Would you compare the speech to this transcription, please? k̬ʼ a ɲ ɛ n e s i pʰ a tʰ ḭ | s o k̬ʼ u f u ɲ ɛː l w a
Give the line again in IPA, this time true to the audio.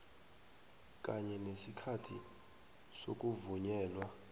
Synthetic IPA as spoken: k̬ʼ a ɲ ɛ n e s i kʰ a tʰ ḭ | s o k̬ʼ u v u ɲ ɛː l w a